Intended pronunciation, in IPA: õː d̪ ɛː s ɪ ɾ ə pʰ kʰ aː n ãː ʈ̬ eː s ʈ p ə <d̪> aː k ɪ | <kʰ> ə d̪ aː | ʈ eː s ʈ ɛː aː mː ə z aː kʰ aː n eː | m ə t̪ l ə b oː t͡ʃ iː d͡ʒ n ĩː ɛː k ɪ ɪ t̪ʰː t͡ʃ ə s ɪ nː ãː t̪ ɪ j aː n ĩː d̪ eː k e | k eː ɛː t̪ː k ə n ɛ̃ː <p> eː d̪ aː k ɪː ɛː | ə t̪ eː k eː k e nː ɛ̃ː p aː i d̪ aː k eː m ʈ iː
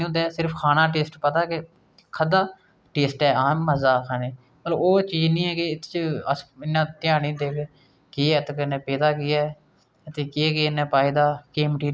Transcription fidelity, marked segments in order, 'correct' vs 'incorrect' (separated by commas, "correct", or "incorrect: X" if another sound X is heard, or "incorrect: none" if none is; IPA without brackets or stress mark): incorrect: t̪, correct, correct